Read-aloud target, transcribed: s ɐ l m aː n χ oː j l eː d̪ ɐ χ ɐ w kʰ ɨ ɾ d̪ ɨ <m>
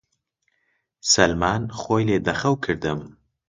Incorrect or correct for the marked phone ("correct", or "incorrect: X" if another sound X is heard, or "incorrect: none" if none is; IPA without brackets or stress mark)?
correct